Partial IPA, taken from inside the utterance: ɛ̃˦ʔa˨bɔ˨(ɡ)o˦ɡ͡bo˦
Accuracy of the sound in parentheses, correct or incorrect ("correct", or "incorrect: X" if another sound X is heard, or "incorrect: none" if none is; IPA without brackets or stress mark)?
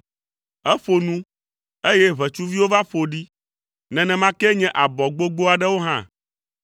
incorrect: ɡ͡b